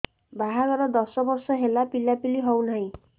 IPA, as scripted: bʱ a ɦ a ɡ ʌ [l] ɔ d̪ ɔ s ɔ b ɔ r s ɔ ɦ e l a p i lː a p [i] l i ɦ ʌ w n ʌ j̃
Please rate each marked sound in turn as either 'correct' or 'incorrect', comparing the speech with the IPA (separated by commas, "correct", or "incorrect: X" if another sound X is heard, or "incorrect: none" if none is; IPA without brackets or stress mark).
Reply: incorrect: ɾ, correct